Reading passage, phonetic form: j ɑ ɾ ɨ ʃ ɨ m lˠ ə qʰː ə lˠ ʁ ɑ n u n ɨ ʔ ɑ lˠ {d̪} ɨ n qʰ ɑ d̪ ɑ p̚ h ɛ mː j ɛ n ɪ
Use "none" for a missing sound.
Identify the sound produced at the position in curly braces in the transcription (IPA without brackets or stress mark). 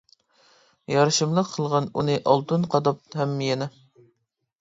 t̪